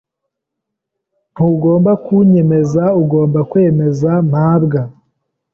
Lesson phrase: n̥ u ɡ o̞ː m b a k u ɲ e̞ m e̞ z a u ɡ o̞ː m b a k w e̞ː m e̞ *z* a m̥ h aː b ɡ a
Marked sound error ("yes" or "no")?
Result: no